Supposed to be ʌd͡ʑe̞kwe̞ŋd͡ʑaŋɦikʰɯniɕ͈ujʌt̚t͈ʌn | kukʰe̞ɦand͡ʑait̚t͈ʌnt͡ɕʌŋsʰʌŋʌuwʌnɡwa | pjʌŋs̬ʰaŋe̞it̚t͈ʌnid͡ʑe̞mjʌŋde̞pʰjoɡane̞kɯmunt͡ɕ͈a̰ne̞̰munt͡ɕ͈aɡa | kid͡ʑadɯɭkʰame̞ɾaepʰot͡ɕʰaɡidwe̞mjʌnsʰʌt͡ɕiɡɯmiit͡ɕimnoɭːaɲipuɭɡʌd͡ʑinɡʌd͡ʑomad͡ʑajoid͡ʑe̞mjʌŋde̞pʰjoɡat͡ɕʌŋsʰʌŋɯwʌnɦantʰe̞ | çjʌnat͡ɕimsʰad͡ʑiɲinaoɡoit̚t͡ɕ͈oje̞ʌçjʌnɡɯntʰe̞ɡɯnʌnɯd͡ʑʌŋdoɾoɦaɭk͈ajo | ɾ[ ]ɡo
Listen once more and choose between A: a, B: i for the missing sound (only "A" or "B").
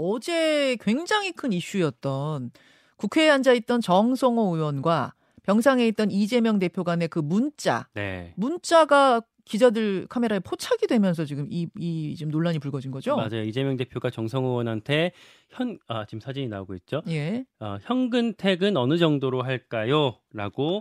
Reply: A